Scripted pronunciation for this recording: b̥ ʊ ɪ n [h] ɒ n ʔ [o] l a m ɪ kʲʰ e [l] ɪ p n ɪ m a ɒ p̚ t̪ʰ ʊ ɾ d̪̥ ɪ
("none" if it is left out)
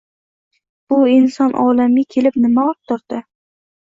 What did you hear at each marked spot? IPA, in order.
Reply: s, ɒ, l

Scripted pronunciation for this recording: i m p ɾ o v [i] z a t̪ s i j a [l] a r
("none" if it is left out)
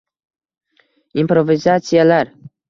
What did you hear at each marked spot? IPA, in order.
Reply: i, l

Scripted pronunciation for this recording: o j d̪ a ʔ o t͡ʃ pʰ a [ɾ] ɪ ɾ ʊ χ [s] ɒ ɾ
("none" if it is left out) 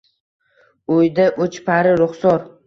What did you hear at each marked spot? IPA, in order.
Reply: ɾ, s

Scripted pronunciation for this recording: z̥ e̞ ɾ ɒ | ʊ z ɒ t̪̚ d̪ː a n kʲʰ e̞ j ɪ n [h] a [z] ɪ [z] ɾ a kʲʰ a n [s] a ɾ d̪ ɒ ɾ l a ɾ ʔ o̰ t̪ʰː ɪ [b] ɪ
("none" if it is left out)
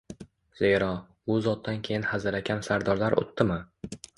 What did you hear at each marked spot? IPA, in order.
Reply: h, z, none, s, m

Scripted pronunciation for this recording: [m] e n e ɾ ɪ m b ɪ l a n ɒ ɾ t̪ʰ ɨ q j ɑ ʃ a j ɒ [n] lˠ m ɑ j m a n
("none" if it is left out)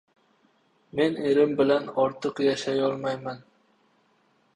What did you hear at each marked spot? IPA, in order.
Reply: m, none

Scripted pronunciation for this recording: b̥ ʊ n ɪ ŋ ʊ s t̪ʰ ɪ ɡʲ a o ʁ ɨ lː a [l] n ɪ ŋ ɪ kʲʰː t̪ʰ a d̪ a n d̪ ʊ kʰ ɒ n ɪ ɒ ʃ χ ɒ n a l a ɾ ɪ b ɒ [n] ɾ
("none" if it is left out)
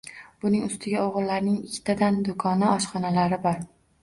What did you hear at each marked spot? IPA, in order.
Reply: ɾ, none

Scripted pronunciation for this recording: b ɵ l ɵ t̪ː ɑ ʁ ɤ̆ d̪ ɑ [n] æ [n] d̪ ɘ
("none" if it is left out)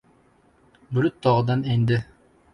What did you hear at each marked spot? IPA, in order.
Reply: n, n

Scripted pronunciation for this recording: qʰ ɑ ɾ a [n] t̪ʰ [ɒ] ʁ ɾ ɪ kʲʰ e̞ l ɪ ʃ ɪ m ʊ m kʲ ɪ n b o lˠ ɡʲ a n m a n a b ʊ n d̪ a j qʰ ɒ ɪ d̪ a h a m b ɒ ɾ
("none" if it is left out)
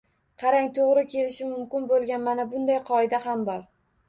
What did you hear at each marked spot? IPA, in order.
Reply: ŋ, o

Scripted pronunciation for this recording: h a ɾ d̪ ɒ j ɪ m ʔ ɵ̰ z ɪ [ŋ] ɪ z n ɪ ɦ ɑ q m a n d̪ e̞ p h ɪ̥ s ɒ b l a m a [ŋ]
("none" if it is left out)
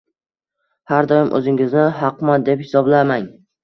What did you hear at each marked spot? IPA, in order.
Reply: ŋ, ŋ

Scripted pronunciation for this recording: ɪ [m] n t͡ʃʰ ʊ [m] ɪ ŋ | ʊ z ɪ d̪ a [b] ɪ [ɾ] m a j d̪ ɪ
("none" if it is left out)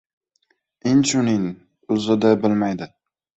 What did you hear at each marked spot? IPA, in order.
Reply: none, n, b, l

